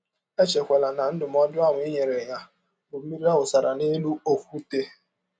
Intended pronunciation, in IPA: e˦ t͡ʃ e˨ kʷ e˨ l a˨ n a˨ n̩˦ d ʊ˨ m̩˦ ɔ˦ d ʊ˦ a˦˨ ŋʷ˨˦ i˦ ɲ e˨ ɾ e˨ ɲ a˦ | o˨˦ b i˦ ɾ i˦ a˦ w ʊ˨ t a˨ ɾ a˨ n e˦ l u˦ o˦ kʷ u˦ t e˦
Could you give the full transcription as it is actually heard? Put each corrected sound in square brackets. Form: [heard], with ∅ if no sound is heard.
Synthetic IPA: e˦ t͡ʃ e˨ kʷ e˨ l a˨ n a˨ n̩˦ d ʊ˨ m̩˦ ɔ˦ d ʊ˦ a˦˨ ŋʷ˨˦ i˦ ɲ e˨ ɾ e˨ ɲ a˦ | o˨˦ [m] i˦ ɾ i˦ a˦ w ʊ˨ [s] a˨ ɾ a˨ n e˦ l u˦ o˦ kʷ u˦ t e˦